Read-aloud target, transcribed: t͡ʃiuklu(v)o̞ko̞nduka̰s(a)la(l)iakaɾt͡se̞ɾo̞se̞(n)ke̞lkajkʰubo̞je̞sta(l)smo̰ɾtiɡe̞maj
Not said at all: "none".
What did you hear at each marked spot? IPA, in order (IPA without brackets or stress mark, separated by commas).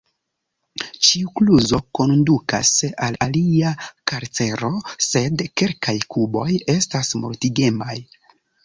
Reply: z, a, l, d, none